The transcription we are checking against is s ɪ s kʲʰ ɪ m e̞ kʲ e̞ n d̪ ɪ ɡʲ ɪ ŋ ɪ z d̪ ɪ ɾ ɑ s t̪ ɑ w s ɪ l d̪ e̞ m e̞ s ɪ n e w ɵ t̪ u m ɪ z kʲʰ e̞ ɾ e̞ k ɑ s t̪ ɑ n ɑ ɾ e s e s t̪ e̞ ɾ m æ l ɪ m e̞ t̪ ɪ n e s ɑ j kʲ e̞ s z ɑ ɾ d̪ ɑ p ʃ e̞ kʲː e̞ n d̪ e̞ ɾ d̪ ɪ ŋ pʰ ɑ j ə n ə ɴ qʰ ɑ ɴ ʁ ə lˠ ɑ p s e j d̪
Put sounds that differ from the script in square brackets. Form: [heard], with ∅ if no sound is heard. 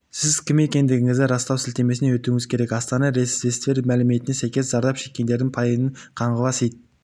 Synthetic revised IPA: s ɪ [z] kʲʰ ɪ m e̞ kʲ e̞ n d̪ ɪ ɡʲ ɪ ŋ ɪ z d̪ ɪ ɾ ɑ s t̪ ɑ w s ɪ l [t̪] e̞ m e̞ s ɪ n e w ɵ t̪ u [ŋ] ɪ z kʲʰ e̞ ɾ e̞ k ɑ s t̪ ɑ n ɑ ɾ e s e s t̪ e̞ ɾ m æ l ɪ m e̞ t̪ ɪ n e s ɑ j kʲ e̞ s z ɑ ɾ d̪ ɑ p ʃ e̞ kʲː e̞ n d̪ e̞ ɾ d̪ ɪ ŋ pʰ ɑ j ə n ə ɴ qʰ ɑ ɴ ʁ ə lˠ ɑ [∅] s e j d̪